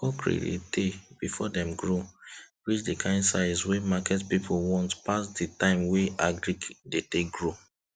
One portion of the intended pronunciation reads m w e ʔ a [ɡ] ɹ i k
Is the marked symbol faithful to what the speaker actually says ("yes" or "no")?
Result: yes